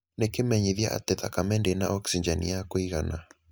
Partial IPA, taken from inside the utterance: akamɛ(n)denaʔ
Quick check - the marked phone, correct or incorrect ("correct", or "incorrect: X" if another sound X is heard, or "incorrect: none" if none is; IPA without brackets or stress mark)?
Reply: correct